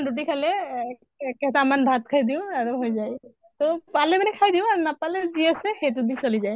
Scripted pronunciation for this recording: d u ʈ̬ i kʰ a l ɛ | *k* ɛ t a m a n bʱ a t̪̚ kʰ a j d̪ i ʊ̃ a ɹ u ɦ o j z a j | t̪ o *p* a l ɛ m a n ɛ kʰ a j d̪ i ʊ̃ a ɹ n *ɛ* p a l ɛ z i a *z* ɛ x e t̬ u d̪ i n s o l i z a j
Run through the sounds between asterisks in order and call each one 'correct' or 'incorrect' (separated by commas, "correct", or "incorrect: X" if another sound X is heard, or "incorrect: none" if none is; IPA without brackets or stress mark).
correct, correct, incorrect: a, incorrect: s